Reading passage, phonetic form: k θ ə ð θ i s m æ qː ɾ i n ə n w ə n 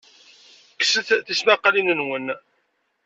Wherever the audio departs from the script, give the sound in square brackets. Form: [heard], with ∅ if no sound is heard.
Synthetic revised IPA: k [s] ə [θ] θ i s m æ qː [l] i n ə n w ə n